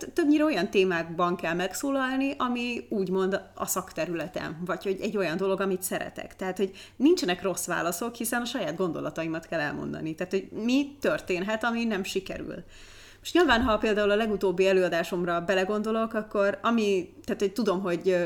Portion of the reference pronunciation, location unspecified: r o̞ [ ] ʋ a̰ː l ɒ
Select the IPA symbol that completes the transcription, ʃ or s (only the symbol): s